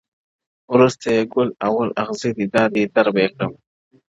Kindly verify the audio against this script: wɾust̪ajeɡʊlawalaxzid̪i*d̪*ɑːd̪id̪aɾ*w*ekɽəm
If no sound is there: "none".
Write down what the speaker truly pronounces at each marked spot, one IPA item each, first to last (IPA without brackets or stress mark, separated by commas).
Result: d̪, b